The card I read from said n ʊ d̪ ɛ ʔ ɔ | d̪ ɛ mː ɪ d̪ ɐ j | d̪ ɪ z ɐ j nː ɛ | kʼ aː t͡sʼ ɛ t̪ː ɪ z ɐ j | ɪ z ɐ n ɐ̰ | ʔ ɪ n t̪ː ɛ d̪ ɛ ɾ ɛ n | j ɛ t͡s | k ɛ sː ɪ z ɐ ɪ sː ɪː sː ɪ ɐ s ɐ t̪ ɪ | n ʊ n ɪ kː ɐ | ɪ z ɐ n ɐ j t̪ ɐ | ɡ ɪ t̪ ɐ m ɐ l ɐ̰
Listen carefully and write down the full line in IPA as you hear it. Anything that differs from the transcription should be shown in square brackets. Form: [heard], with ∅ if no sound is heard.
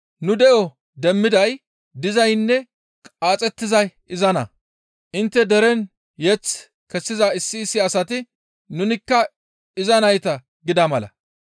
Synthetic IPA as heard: n ʊ d̪ ɛ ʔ ɔ | d̪ ɛ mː ɪ d̪ ɐ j | d̪ ɪ z ɐ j nː ɛ | kʼ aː t͡sʼ ɛ t̪ː ɪ z ɐ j | ɪ z ɐ n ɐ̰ | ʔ ɪ n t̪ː ɛ d̪ ɛ ɾ ɛ n | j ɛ t͡s | k ɛ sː ɪ z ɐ ɪ sː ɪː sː ɪ ɐ s ɐ t̪ ɪ | n ʊ n ɪ kː ɐ | ɪ z ɐ n ɐ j t̪ ɐ | ɡ ɪ [d̪] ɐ m ɐ l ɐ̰